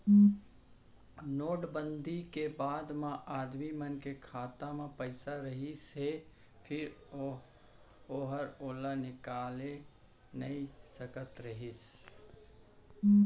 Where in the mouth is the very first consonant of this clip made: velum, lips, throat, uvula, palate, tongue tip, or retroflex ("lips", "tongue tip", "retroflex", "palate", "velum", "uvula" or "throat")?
tongue tip